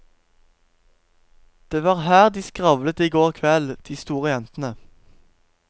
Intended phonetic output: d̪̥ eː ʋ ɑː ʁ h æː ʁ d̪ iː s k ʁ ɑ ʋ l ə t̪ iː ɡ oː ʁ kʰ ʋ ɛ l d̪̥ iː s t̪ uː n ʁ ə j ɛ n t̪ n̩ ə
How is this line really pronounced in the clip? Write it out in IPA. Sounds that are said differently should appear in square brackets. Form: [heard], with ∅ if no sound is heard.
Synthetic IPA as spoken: d̪̥ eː ʋ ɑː ʁ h æː ʁ d̪ iː s k ʁ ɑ ʋ l ə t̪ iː ɡ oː ʁ kʰ ʋ ɛ l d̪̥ iː s t̪ uː [∅] ʁ ə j ɛ n t̪ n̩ ə